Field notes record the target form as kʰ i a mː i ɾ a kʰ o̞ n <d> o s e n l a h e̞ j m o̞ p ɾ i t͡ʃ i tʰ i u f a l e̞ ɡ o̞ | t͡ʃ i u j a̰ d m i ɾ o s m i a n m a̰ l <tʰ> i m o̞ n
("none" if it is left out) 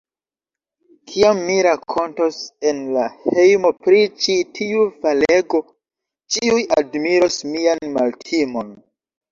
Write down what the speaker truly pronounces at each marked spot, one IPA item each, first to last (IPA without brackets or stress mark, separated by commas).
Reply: t, tʰ